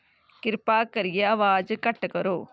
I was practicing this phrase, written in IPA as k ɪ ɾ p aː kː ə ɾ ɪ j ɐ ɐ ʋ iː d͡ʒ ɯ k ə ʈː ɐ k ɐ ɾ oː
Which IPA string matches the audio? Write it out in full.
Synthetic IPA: k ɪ ɾ p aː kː ɐ ɾ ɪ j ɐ ɐ ʋ aː d͡ʒ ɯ k ɐ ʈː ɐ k ɐ ɾ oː